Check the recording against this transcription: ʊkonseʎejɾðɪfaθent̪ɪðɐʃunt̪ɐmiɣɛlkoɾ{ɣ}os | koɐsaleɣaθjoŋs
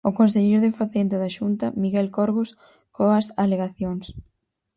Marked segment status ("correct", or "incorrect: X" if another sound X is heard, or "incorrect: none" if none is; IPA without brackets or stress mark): correct